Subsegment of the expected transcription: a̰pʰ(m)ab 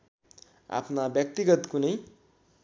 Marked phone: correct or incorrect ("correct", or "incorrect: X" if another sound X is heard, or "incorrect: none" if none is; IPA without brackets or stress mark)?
incorrect: n